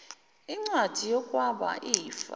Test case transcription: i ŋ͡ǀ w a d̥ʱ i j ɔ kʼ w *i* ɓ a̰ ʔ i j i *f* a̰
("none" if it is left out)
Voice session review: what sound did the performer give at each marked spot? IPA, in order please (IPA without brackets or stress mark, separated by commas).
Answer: a, f